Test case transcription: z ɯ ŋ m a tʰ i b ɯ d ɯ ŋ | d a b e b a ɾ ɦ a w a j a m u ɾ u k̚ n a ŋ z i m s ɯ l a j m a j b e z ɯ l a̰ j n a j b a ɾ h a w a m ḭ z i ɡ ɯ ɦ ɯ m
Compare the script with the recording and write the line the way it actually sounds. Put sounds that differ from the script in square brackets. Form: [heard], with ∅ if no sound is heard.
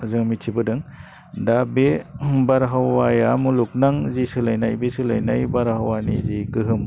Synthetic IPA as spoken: z ɯ ŋ m [i] tʰ i b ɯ d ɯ ŋ | d a b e b a ɾ ɦ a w a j a m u [l] u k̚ n a ŋ z i [∅] s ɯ l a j [n] a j b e [s] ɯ l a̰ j n a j b a ɾ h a w a [n] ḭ z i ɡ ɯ ɦ ɯ m